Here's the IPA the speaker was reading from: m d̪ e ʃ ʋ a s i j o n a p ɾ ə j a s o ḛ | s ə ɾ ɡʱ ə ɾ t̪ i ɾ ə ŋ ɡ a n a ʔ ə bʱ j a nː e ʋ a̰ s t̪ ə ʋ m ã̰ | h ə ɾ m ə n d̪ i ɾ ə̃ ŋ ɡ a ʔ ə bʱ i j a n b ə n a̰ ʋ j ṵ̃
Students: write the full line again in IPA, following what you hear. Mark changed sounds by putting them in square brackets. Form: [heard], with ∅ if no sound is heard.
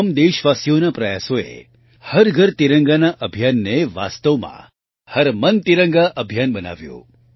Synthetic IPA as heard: m d̪ e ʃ ʋ a s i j o n a p ɾ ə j a s o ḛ | [h] ə ɾ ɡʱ ə ɾ t̪ i ɾ ə ŋ ɡ a n a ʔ ə bʱ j a nː e ʋ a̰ s t̪ ə ʋ m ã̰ | h ə ɾ m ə n [t̪] i ɾ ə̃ ŋ ɡ a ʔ ə bʱ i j a n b ə n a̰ ʋ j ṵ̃